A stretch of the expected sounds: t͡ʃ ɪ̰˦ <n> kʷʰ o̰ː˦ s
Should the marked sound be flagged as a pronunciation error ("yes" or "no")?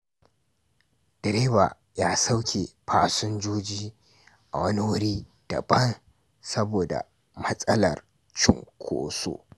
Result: yes